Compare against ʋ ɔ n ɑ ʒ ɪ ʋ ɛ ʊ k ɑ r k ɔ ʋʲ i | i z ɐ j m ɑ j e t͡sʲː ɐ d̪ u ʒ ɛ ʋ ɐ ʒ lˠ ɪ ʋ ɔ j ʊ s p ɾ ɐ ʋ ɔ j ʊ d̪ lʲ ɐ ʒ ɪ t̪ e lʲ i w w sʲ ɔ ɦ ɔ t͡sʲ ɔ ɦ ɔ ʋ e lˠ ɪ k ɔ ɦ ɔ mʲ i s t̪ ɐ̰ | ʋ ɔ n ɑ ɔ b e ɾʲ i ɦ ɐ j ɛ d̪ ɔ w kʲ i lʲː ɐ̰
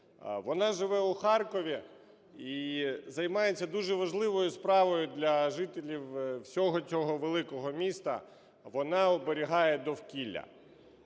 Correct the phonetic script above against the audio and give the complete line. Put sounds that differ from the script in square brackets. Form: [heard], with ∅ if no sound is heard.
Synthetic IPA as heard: ʋ ɔ n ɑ ʒ ɪ ʋ ɛ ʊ [x] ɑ r k ɔ ʋʲ i | i z ɐ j m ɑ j e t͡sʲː ɐ d̪ u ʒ ɛ ʋ ɐ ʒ lˠ ɪ ʋ ɔ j ʊ s p ɾ [ɑ] ʋ ɔ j ʊ d̪ lʲ ɐ ʒ ɪ t̪ e lʲ i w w sʲ ɔ ɦ ɔ t͡sʲ ɔ ɦ ɔ ʋ e lˠ ɪ k ɔ ɦ ɔ mʲ i s t̪ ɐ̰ | ʋ ɔ n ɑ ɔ b e ɾʲ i ɦ [ɑ] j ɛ d̪ ɔ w kʲ i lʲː ɐ̰